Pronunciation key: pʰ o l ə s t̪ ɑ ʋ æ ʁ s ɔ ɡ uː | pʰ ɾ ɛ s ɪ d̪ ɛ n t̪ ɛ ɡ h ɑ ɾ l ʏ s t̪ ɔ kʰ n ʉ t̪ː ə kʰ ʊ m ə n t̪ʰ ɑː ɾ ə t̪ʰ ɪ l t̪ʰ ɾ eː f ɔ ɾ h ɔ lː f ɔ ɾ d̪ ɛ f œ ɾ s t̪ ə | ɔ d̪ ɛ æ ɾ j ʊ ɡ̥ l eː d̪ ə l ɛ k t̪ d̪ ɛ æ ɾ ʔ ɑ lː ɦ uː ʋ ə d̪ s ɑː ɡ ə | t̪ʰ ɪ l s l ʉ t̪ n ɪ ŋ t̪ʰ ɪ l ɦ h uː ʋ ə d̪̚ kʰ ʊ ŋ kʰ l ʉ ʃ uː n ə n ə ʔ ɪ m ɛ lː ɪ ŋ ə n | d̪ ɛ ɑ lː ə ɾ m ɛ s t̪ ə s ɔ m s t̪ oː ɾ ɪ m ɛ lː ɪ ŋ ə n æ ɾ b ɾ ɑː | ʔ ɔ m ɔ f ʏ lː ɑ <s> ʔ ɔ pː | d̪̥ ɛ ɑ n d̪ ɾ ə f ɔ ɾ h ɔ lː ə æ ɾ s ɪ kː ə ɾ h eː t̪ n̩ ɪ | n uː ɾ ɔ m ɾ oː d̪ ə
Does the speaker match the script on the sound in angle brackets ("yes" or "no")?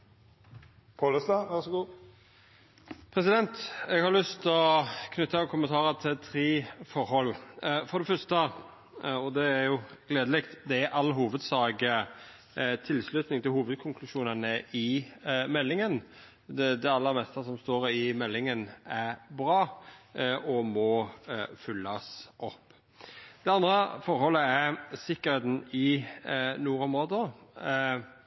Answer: yes